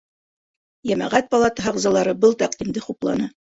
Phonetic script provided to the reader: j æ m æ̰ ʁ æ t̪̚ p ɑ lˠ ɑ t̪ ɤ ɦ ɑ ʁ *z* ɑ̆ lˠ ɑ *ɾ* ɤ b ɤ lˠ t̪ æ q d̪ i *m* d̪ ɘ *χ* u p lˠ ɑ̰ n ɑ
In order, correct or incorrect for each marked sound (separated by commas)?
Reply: correct, correct, correct, correct